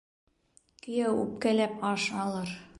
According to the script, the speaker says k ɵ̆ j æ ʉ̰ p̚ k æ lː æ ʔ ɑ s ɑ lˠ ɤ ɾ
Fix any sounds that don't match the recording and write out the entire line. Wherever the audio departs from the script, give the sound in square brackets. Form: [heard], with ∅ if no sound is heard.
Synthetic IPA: k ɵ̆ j æ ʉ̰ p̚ k æ [l] æ [p] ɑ [ʃ] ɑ lˠ ɤ ɾ